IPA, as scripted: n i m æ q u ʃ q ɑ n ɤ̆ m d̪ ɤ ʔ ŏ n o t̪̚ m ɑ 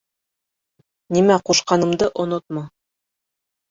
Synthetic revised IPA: n i m æ q u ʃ q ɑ n ɤ̆ m d̪ ɤ ʔ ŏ n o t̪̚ m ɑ